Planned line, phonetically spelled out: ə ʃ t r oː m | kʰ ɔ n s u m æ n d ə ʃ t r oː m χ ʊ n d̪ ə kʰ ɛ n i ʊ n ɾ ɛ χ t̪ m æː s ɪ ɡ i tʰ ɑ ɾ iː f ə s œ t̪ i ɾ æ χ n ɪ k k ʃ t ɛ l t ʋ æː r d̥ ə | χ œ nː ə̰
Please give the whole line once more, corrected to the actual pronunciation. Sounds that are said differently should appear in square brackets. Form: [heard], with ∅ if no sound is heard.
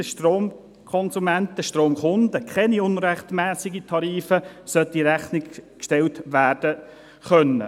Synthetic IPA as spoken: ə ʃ t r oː m | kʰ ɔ n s u m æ n [t] ə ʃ t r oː m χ ʊ n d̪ ə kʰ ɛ n i ʊ n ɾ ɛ χ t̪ m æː s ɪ ɡ i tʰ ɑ ɾ iː f ə s œ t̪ i ɾ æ χ n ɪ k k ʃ t ɛ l t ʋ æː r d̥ ə | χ œ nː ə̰